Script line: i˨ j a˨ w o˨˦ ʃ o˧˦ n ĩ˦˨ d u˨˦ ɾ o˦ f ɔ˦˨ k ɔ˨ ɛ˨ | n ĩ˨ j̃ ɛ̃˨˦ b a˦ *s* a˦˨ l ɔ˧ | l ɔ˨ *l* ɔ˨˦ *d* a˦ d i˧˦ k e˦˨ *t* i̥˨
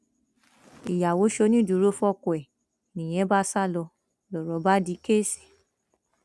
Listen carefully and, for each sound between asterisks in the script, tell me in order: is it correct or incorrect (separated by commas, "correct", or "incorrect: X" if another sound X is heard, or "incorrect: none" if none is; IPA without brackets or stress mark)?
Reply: correct, incorrect: ɾ, incorrect: b, incorrect: s